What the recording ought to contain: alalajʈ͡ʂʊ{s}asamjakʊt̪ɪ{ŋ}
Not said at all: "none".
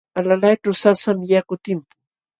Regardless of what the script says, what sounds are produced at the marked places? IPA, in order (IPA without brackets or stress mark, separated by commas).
s, m